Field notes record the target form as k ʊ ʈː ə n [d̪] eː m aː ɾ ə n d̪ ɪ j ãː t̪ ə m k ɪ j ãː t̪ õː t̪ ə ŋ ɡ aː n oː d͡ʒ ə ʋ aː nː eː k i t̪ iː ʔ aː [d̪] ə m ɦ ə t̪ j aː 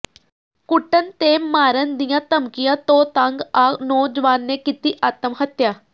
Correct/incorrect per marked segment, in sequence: incorrect: t̪, incorrect: t̪

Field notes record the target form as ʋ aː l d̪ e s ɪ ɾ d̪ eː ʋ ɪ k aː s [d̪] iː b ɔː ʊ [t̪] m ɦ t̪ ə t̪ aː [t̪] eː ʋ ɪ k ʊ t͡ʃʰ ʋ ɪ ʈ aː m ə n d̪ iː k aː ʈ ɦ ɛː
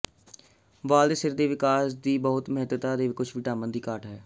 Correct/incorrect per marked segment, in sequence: correct, correct, incorrect: d̪

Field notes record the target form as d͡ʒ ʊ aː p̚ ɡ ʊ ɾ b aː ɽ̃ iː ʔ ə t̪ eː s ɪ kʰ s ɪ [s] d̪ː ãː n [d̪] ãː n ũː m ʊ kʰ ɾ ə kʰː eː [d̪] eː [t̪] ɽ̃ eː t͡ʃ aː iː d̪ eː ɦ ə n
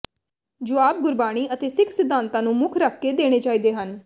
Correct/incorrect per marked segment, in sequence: incorrect: none, incorrect: t̪, correct, incorrect: none

